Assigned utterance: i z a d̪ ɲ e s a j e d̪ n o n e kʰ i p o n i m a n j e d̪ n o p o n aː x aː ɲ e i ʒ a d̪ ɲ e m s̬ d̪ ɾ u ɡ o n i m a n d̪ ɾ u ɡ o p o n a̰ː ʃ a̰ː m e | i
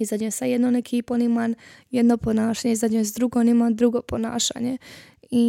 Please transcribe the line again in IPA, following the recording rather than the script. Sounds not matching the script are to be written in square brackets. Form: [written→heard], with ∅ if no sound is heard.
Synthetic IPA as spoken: i z a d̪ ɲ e s a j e d̪ n o n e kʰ i p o n i m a n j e d̪ n o p o n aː [x→ʃ] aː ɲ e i [ʒ→z] a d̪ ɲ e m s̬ d̪ ɾ u ɡ o n i m a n d̪ ɾ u ɡ o p o n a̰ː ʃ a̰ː [m→ɲ] e | i